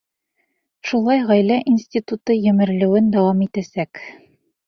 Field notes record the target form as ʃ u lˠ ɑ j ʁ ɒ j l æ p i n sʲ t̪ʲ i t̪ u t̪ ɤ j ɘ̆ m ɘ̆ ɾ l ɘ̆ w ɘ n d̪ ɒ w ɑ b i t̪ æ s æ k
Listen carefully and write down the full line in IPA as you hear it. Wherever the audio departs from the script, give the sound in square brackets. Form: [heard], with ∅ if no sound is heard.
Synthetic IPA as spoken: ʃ u lˠ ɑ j ʁ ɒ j l æ [ʔ] i n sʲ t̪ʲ i t̪ u t̪ ɤ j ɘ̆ m ɘ̆ ɾ l ɘ̆ w ɘ n d̪ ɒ w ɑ [m] i t̪ æ s æ k